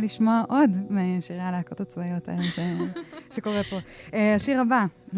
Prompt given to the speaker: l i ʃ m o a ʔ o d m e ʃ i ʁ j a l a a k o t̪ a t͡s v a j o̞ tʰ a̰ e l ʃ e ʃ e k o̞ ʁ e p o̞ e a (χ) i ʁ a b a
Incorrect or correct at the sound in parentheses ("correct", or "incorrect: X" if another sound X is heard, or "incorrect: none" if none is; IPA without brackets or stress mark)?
incorrect: ʃ